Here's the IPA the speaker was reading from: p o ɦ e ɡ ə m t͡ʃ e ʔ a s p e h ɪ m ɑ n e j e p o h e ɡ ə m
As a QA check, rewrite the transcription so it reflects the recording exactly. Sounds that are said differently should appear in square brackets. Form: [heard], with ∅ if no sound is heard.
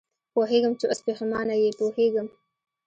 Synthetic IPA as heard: p o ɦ e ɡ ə m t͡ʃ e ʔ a s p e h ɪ m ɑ n [a] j e p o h e ɡ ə m